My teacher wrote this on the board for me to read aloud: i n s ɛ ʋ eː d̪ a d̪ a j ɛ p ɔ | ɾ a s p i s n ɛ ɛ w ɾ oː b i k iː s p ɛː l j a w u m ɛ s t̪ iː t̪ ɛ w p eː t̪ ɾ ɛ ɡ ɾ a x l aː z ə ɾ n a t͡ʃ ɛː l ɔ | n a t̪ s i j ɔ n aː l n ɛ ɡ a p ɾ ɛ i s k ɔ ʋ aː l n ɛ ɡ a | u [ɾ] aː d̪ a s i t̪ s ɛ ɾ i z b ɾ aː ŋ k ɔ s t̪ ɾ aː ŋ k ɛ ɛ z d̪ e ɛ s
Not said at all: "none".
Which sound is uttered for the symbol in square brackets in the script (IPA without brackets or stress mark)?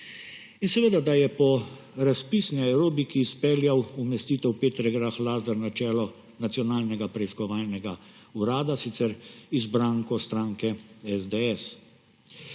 ɾ